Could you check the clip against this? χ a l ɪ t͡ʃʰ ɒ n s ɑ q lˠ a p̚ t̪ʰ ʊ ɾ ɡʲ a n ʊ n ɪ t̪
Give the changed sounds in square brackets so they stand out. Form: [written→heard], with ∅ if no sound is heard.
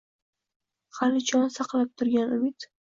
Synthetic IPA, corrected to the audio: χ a l ɪ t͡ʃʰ ɒ n s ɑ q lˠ a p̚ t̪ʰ ʊ ɾ ɡʲ a n ʊ [n→m] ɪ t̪